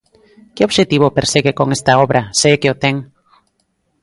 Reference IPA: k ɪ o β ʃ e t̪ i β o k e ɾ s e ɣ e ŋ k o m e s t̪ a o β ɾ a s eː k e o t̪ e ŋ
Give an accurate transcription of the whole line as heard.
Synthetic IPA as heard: k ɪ o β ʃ e t̪ i β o p e ɾ s e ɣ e k o ŋ e s t̪ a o β ɾ a s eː k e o t̪ e ŋ